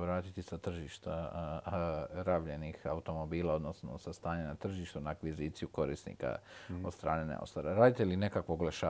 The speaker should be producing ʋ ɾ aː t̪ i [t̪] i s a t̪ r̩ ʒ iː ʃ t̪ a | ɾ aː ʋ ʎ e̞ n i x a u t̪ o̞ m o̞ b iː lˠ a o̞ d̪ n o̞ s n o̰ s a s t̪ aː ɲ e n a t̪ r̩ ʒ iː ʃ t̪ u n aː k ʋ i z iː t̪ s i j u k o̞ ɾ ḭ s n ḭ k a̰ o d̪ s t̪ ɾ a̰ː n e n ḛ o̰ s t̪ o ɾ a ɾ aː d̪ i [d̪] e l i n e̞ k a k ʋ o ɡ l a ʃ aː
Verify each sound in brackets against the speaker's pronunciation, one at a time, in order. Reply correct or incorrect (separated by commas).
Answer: correct, incorrect